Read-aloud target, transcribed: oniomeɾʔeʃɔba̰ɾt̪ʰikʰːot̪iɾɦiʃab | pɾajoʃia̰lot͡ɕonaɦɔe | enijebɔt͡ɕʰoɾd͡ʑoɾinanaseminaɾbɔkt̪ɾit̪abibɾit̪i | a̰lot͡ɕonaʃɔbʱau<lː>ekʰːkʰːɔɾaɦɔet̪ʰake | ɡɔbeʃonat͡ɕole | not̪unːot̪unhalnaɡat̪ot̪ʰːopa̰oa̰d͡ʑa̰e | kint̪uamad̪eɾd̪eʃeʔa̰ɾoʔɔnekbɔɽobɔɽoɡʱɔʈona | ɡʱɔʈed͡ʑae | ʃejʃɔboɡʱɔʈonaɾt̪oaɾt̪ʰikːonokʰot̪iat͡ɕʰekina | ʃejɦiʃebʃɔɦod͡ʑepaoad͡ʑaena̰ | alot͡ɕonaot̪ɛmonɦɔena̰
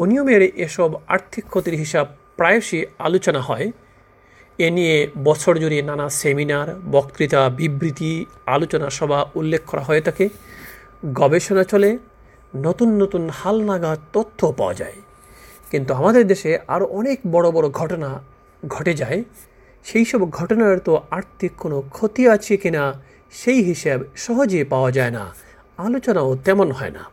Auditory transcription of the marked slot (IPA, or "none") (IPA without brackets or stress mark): lː